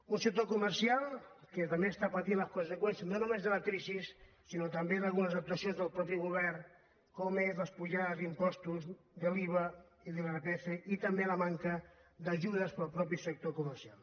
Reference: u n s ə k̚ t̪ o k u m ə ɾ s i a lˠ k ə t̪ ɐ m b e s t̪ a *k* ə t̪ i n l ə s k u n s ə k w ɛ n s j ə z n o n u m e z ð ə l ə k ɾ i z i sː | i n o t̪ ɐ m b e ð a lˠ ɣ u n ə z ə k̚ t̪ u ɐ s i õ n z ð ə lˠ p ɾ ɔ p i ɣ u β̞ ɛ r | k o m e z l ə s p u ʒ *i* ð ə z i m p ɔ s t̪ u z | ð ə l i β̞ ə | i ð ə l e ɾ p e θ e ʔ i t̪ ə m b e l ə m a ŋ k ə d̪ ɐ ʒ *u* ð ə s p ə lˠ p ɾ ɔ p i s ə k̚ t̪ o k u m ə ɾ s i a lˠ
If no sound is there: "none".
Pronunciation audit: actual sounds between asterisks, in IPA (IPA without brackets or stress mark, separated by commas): p, a, u